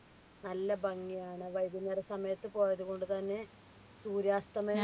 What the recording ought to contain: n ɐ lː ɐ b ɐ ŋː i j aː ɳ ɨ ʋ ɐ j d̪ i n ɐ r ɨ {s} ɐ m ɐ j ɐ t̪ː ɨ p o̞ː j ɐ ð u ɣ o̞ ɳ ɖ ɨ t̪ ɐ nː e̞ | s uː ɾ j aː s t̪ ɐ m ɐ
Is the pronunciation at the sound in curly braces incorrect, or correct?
correct